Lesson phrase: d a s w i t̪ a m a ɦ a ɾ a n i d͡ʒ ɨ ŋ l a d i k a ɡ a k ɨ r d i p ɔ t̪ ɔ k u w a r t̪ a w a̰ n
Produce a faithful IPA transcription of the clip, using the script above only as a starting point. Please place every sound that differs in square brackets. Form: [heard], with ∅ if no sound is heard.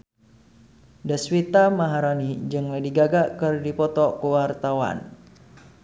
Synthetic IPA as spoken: d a s w i t̪ a m a ɦ a ɾ a n i d͡ʒ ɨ ŋ l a d i [ɡ] a ɡ a k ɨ r d i p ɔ t̪ ɔ k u w a r t̪ a w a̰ n